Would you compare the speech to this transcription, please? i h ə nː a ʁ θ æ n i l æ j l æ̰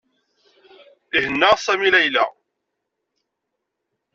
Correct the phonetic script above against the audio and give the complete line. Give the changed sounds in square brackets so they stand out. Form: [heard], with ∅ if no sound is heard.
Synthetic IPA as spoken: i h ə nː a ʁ [s] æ [m] i l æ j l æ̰